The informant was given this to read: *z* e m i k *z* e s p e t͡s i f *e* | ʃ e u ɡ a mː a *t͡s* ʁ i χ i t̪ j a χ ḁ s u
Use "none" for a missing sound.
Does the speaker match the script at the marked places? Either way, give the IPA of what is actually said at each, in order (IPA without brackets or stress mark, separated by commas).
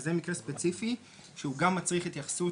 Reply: z, ʁ, i, t͡s